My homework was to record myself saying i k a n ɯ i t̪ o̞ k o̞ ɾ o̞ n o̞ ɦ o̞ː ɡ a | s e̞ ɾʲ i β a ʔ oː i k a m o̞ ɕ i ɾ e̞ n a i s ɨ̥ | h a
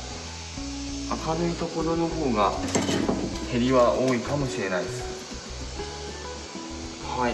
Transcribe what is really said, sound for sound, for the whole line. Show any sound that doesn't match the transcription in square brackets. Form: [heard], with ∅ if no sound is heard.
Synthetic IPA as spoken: [a] k a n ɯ i t̪ o̞ k o̞ ɾ o̞ n o̞ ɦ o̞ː ɡ a | [h] e̞ ɾʲ i β a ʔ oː i k a m o̞ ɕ i ɾ e̞ n a i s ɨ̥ | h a